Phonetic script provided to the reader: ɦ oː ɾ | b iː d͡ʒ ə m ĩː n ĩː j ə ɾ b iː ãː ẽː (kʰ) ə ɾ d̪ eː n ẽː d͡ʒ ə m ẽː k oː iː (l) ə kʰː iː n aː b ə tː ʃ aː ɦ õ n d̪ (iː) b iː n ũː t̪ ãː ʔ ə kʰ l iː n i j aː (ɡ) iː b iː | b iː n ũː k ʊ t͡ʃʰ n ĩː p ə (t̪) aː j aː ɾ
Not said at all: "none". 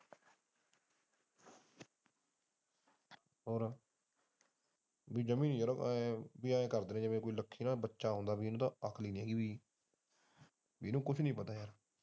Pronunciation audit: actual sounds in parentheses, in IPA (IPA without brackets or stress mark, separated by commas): k, l, aː, ɡ, t̪